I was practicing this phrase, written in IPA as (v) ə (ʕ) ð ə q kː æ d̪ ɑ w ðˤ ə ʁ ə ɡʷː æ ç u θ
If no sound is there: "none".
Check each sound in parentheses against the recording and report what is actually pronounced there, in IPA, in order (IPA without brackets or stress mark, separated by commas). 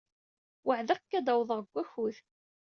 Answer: w, ʕ